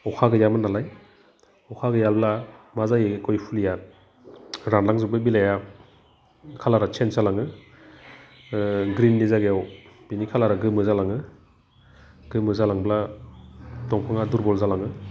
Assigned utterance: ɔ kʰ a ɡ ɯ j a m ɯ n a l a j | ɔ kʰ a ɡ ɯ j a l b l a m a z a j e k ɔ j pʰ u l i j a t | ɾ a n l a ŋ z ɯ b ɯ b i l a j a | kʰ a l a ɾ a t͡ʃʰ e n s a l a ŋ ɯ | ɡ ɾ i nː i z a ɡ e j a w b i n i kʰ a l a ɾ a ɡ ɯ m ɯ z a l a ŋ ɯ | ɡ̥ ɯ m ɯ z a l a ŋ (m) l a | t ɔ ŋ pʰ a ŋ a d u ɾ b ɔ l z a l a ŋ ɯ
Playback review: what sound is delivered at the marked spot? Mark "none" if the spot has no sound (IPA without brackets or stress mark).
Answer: b